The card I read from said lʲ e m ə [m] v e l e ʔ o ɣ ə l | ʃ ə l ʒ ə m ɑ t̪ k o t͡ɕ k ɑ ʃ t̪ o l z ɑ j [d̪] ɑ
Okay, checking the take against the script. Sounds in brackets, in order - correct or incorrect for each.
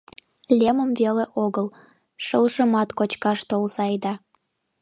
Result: correct, correct

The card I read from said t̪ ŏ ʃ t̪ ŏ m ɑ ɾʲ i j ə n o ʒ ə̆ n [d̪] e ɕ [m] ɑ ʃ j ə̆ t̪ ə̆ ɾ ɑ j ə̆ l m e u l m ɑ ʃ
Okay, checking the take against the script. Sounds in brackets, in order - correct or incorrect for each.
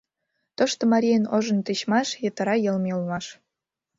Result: incorrect, correct

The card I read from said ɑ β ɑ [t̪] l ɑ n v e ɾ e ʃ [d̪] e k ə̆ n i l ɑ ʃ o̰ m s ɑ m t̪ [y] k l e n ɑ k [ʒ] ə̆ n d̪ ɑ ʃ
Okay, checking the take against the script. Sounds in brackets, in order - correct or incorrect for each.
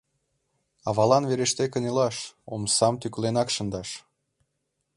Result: incorrect, incorrect, correct, incorrect

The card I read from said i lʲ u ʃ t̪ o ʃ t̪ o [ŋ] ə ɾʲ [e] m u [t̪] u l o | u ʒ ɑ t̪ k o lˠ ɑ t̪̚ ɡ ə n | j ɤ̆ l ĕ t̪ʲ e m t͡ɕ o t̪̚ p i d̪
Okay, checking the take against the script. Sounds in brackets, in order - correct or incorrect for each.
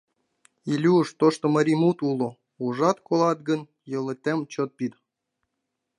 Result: incorrect, incorrect, correct

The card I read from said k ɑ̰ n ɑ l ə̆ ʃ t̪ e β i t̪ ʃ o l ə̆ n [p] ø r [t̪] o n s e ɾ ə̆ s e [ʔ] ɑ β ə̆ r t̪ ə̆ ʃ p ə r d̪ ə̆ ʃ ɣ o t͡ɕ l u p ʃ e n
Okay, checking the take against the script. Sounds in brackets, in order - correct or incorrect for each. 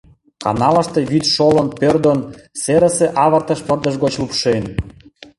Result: correct, incorrect, correct

